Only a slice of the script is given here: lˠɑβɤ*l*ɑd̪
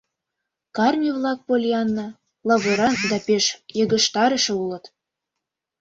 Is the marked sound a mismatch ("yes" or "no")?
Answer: yes